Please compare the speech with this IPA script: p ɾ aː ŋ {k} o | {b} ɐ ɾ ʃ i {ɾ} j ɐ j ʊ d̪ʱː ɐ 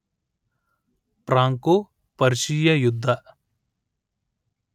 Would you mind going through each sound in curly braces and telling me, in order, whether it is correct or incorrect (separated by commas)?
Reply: correct, incorrect, incorrect